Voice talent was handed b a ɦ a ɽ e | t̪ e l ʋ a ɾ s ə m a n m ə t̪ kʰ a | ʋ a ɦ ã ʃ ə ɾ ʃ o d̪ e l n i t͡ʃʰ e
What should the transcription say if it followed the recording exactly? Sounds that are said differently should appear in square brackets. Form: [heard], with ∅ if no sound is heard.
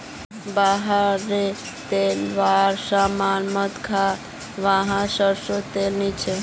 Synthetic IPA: b a ɦ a [ɾ] e | t̪ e l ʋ a ɾ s [a] m a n m ə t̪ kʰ a | ʋ a ɦ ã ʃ ə ɾ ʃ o [t̪] e l n i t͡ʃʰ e

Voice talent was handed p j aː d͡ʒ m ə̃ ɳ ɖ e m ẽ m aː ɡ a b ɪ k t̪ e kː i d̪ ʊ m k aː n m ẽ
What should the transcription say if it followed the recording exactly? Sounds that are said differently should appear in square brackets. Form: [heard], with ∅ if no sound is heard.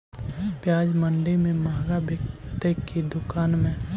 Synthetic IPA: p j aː d͡ʒ m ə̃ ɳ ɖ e m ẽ m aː ɡ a b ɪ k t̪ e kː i d̪ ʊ [∅] k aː n m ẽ

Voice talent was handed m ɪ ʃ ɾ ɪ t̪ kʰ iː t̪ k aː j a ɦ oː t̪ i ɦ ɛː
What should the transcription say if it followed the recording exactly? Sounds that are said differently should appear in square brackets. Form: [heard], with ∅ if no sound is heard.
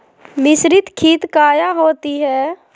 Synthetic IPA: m ɪ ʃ ɾ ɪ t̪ kʰ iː t̪ k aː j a ɦ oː t̪ i ɦ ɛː

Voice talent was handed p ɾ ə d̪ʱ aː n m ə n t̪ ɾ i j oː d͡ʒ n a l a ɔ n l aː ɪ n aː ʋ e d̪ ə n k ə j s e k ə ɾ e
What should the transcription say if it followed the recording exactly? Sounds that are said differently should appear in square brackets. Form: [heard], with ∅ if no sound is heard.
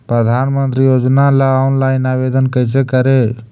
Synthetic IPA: p ɾ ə d̪ʱ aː n m ə n t̪ ɾ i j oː d͡ʒ n a l a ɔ n l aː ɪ n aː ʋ e d̪ ə n k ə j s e k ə ɾ e

